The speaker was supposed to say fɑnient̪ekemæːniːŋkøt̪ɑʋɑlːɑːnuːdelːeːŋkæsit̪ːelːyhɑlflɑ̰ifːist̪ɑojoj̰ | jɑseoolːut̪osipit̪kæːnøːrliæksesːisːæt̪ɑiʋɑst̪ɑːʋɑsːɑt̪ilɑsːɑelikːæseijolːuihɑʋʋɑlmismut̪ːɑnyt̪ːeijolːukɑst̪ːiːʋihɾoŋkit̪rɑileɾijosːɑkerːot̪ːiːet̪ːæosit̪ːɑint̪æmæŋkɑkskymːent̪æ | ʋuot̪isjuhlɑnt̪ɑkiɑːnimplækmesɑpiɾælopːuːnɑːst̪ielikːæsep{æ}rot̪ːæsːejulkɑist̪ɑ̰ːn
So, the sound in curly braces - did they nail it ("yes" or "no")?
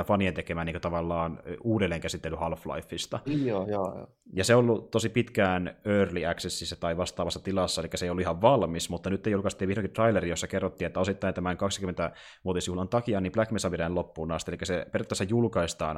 no